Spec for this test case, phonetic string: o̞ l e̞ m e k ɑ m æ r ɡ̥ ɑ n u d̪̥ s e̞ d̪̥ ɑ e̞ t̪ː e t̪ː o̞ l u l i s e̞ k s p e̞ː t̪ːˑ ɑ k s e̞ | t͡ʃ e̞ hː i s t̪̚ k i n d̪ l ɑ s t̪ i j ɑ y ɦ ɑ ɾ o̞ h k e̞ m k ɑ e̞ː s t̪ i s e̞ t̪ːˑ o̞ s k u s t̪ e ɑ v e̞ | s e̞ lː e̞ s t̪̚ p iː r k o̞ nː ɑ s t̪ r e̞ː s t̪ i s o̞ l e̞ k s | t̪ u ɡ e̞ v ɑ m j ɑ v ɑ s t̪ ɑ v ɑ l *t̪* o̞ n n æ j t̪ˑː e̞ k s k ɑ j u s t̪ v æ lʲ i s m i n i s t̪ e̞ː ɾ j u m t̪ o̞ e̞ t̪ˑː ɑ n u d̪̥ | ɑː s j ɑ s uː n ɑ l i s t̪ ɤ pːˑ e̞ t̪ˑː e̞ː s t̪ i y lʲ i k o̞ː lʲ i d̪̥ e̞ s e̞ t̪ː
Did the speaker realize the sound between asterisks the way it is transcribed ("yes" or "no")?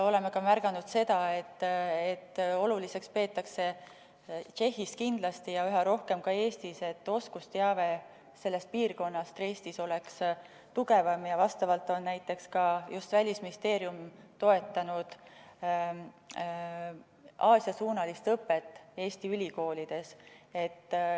yes